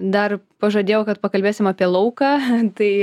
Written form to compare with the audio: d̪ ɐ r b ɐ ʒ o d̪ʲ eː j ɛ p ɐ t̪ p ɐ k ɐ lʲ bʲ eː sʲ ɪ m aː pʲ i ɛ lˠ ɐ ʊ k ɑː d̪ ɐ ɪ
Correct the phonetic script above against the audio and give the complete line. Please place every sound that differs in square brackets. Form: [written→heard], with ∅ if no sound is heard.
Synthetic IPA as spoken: d̪ ɐ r [b→p] ɐ ʒ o d̪ʲ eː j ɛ [p→k] ɐ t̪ p ɐ k ɐ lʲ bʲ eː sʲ ɪ m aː pʲ i ɛ lˠ ɐ ʊ k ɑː [d̪→t̪] ɐ ɪ